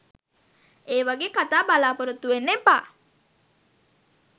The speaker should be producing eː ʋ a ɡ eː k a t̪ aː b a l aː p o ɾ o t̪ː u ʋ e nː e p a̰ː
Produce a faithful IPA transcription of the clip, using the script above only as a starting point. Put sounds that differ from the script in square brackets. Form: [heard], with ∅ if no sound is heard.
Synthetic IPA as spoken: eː ʋ a ɡ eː k a t̪ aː b a l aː p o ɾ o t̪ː u ʋ e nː e p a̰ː